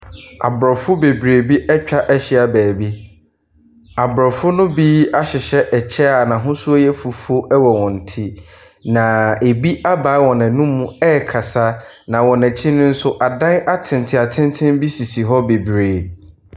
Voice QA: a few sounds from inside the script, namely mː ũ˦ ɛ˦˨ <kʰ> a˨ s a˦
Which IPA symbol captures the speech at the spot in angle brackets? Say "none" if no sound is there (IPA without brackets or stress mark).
kʰ